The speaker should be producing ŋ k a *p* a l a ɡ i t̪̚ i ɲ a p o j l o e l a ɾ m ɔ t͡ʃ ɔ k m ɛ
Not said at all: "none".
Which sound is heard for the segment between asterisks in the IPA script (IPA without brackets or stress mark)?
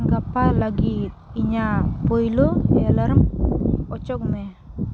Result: p